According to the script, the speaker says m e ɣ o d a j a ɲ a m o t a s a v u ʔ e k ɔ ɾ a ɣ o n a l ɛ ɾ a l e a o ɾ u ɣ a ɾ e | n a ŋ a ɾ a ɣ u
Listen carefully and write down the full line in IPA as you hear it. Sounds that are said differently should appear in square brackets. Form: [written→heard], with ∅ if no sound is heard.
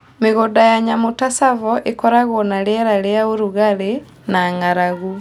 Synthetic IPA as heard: m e ɣ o d a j a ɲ a m o t a s a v [u→ɔ] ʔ e k ɔ ɾ a ɣ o n a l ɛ ɾ a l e a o ɾ u ɣ a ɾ e | n a ŋ a ɾ a ɣ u